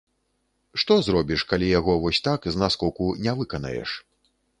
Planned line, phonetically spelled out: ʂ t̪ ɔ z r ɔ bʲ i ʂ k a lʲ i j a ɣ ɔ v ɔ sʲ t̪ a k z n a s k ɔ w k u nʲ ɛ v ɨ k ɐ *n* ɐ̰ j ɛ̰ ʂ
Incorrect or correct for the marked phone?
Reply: correct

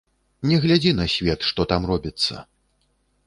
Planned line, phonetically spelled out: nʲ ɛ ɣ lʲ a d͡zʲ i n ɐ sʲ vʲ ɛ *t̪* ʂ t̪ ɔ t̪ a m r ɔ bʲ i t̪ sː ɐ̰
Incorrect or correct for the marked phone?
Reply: correct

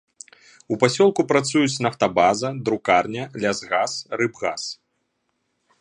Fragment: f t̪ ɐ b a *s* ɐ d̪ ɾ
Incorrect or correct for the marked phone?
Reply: incorrect: z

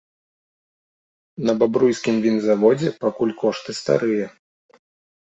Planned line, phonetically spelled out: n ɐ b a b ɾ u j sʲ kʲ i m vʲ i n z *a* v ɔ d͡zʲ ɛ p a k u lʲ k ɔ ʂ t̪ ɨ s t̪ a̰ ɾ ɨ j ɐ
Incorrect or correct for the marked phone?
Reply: correct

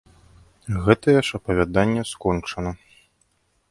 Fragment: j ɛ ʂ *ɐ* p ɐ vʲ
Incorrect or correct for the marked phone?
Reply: correct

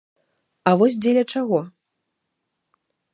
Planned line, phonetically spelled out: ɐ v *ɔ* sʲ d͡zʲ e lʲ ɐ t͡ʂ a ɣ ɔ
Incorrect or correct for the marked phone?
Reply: correct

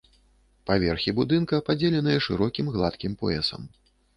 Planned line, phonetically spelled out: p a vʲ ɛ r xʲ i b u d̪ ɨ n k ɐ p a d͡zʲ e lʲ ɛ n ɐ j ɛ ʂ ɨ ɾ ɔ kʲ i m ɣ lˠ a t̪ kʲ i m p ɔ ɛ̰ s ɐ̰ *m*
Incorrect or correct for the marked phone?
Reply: correct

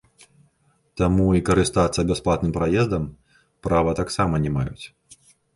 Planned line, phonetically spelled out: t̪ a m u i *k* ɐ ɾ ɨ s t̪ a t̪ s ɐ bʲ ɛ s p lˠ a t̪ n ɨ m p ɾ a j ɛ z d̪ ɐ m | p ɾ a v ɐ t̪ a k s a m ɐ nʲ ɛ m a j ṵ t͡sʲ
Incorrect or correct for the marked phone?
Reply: correct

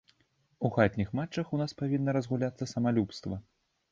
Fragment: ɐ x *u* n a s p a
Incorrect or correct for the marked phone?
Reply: correct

